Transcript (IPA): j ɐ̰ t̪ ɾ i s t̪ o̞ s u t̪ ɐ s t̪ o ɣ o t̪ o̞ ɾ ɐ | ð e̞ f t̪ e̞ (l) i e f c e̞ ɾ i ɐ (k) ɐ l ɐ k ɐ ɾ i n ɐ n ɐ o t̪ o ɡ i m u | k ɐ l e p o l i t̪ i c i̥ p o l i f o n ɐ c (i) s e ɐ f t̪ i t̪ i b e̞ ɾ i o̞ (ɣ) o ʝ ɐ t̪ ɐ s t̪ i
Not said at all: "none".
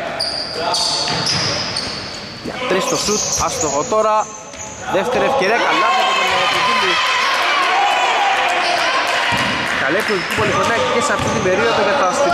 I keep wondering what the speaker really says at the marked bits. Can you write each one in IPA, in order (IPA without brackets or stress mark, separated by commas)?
ɾ, k, e, ð